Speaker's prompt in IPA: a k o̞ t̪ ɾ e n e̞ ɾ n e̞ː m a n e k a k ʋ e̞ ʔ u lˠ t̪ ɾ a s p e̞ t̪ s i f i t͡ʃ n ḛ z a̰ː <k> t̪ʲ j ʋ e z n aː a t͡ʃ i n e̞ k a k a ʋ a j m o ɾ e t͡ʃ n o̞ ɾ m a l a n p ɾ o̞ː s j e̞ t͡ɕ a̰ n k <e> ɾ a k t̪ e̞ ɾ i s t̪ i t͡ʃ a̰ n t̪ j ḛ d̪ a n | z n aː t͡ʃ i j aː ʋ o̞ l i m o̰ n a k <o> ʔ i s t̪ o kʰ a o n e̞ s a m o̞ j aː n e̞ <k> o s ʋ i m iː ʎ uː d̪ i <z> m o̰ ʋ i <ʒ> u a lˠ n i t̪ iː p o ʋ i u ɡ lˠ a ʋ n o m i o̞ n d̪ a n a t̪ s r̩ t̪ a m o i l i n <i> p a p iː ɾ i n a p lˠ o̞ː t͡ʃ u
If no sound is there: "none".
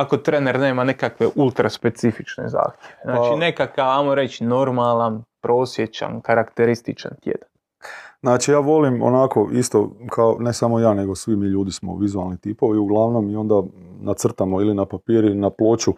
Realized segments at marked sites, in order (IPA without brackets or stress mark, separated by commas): x, a, o, ɡ, s, z, a